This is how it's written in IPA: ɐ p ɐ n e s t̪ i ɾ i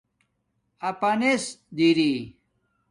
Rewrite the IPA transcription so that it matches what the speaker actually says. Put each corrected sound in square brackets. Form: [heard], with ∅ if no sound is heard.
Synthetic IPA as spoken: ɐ p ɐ n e s [d̪] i ɾ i